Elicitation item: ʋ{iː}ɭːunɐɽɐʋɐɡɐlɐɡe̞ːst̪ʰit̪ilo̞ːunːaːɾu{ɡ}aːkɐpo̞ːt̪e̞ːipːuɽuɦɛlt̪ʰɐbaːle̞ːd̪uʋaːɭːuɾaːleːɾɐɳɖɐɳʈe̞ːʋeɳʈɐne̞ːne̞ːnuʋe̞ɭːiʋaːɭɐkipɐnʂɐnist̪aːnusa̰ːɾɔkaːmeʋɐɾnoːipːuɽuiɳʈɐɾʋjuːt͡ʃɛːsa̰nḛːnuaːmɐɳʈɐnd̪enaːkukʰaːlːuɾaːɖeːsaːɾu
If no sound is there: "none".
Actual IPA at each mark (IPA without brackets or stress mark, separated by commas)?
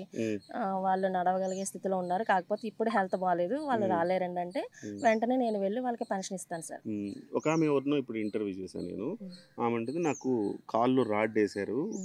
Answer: aː, k